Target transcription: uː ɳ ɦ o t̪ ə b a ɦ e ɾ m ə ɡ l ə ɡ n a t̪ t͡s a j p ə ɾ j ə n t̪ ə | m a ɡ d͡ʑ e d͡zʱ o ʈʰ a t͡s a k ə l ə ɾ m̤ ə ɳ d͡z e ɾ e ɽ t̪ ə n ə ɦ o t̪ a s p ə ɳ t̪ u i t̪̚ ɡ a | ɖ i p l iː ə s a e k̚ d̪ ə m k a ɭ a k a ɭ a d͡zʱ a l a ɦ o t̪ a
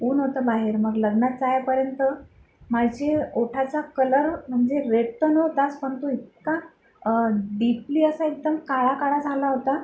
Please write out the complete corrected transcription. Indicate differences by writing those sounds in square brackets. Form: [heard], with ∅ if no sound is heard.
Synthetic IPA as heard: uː [n] ɦ o t̪ ə b a ɦ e ɾ m ə ɡ l ə ɡ n a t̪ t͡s a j p ə ɾ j ə n t̪ ə | m a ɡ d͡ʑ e [∅] o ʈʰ a t͡s a k ə l ə ɾ m̤ ə ɳ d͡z e ɾ e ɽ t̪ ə n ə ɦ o t̪ a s p ə ɳ t̪ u i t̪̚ [k] a | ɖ i p l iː ə s a e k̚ d̪ ə m k a ɭ a k a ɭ a d͡zʱ a l a ɦ o t̪ a

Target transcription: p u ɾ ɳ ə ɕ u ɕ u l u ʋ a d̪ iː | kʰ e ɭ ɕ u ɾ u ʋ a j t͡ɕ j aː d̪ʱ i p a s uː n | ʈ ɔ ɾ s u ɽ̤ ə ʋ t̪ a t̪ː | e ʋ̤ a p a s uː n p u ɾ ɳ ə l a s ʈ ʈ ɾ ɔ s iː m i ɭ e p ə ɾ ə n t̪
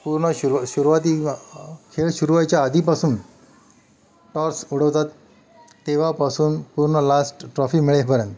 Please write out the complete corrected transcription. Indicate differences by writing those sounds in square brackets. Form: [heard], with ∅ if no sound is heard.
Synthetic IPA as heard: p u ɾ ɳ ə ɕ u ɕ u [ɾ] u ʋ a [t̪] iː | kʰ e ɭ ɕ u ɾ u ʋ a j t͡ɕ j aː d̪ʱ i p a s uː n | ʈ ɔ ɾ s u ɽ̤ ə ʋ t̪ a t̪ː | e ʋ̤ a p a s uː n p u ɾ ɳ ə l a s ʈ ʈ ɾ ɔ [f] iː m i ɭ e p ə ɾ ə n t̪

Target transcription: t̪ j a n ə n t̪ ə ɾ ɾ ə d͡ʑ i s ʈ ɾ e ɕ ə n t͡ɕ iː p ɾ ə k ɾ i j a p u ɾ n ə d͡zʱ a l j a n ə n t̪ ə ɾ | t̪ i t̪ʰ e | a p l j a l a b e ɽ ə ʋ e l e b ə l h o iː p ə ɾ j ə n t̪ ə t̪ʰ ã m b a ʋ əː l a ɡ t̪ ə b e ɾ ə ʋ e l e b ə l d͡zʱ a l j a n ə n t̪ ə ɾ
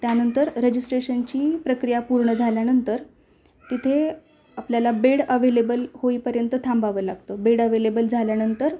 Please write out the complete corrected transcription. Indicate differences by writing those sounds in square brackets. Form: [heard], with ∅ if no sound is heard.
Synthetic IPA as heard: t̪ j a n ə n t̪ ə ɾ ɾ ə d͡ʑ i s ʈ ɾ e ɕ ə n t͡ɕ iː p ɾ ə k ɾ i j a p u ɾ [ɳ] ə d͡zʱ a l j a n ə n t̪ ə ɾ | t̪ i t̪ʰ e | a p l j a l a b e ɽ ə ʋ e l e b ə l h o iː p ə ɾ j ə n t̪ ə t̪ʰ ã m b a ʋ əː l a ɡ t̪ ə b e [ɽ] ə ʋ e l e b ə l d͡zʱ a l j a n ə n t̪ ə ɾ

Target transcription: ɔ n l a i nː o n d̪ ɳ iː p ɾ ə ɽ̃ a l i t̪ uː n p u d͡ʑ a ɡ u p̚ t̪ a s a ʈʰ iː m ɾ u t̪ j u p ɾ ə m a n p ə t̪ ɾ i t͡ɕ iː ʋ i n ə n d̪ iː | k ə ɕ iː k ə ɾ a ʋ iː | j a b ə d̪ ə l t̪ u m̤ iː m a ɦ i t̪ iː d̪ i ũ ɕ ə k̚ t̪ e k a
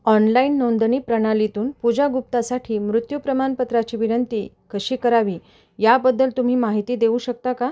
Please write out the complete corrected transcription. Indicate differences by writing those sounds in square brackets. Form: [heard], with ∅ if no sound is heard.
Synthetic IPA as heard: ɔ n l a i nː o n d̪ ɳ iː p ɾ ə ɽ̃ a l i t̪ uː n p u d͡ʑ a ɡ u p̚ t̪ a s a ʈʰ iː m ɾ u t̪ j u p ɾ ə m a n p ə t̪ ɾ [a] t͡ɕ iː ʋ i n ə n [t̪] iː | k ə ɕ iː k ə ɾ a ʋ iː | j a b ə [d̪ː] ə l t̪ u m̤ iː m a ɦ i t̪ iː d̪ [e] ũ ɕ ə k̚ t̪ [a] k a

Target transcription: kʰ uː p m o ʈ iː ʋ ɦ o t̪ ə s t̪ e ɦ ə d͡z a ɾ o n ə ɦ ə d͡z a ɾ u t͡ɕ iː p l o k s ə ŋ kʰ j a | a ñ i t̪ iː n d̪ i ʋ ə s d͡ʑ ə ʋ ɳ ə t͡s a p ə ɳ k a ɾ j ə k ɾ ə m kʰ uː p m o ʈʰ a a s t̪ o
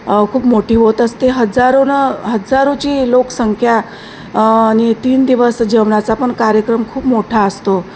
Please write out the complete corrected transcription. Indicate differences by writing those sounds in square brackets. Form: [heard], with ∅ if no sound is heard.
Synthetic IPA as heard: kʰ uː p m o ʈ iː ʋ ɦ o t̪ ə s t̪ e ɦ ə d͡z a ɾ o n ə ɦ ə d͡z a ɾ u t͡ɕ iː [∅] l o k s ə ŋ kʰ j a | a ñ i t̪ iː n d̪ i ʋ ə s d͡ʑ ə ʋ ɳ [a] t͡s a p ə ɳ k a ɾ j ə k ɾ ə m kʰ uː p m o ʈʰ a [ə] s t̪ o

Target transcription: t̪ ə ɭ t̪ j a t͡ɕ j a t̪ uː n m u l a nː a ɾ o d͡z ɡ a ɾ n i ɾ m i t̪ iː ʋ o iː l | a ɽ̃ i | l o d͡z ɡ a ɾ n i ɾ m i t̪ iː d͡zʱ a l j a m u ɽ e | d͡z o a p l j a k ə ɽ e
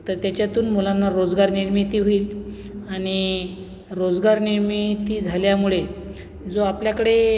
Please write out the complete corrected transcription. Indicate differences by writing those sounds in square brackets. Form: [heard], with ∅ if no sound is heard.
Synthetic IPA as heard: t̪ ə [ɾ] t̪ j a t͡ɕ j a t̪ uː n m u l a nː a ɾ o d͡z ɡ a ɾ n i ɾ m i t̪ iː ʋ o iː l | a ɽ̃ i | [ɾ] o d͡z ɡ a ɾ n i ɾ m i t̪ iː d͡zʱ a l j a m u [ɭ] e | d͡z o a p l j a k ə ɽ e

